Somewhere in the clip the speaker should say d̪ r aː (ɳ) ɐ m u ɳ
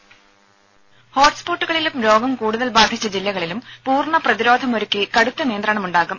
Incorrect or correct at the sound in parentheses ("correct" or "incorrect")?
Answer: correct